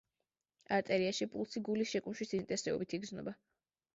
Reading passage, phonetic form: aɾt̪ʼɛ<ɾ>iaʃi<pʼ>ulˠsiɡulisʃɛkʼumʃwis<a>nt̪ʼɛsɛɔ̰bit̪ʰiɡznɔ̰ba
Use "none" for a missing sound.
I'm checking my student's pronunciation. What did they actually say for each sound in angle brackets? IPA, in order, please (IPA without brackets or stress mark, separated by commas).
ɾ, pʼ, i